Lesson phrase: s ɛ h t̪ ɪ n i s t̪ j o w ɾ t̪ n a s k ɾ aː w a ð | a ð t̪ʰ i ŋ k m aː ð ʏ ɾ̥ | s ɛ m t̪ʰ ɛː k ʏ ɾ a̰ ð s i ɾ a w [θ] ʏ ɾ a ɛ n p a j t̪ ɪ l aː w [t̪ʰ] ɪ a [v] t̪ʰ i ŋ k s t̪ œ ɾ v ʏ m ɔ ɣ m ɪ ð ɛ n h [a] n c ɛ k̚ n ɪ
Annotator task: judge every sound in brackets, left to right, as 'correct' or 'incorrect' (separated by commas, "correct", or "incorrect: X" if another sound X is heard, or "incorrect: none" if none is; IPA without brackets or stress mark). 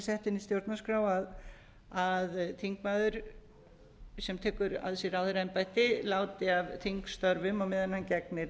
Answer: incorrect: ð, incorrect: t̪, correct, correct